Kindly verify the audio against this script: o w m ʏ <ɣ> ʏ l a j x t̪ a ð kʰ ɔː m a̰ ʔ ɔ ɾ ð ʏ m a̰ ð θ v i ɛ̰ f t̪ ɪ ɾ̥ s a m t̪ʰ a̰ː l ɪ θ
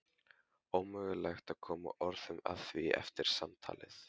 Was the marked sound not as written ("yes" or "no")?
no